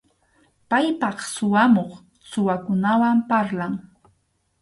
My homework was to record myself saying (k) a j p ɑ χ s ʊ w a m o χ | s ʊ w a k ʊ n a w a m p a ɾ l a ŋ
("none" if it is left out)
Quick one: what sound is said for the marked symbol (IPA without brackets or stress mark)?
p